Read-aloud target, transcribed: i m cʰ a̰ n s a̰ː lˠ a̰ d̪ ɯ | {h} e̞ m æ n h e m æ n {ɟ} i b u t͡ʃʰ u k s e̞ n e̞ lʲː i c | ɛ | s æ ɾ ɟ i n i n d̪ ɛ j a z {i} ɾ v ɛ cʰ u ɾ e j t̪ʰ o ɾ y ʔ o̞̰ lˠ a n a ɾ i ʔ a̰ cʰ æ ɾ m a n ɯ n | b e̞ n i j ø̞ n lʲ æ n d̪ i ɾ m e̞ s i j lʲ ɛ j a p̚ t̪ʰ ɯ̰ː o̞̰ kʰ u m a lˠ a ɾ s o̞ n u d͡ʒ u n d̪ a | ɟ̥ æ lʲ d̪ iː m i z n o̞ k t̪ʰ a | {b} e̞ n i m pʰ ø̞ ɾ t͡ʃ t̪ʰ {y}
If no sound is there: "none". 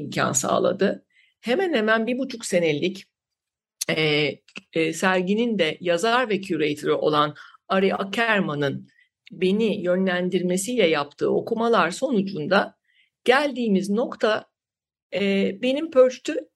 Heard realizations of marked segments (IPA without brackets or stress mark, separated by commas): h, b, a, b, y